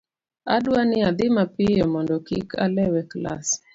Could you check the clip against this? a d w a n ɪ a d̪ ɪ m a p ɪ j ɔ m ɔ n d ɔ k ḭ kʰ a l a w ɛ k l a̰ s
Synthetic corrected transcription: a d w a n ɪ a d̪ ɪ m a p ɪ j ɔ m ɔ n d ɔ k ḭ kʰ a l ɛ w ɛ k l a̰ s